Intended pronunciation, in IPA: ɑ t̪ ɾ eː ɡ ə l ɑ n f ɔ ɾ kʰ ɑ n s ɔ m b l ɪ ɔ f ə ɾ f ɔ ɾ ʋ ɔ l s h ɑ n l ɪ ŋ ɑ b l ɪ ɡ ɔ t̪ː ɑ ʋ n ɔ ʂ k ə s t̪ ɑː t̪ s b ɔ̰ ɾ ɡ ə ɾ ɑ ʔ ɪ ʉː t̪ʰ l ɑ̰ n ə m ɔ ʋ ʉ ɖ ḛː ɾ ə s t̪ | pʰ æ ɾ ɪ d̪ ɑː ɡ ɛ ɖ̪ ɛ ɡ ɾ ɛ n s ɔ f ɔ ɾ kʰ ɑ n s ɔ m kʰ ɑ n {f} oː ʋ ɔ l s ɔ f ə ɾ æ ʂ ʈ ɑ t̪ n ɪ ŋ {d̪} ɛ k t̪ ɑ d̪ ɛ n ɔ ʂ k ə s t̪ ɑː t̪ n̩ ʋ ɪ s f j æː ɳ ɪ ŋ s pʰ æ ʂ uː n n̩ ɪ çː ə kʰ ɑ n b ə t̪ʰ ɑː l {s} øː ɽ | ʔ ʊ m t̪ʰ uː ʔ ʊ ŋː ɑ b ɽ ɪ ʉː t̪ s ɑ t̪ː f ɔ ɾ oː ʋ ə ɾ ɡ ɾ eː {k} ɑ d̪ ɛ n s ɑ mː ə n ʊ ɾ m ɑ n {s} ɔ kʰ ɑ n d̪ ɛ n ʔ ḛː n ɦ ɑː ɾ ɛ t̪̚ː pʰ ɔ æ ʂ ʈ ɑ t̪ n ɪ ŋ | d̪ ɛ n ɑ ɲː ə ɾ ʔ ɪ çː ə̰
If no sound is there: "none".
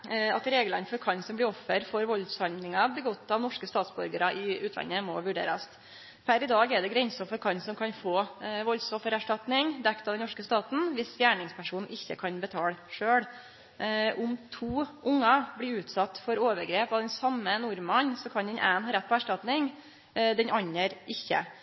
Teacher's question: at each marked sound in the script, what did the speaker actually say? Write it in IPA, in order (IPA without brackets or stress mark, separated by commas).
f, d̪, ʂ, p, s